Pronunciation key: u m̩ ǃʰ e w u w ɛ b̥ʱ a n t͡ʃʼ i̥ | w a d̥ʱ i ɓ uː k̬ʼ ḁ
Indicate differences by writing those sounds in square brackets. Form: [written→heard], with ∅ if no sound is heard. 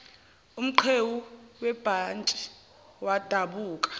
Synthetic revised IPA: u m̩ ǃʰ e w u w ɛ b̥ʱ a n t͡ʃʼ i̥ | w a d̥ʱ [i→a] ɓ uː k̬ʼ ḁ